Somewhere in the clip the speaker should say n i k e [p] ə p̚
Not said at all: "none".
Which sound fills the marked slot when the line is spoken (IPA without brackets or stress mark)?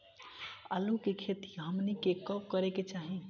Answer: k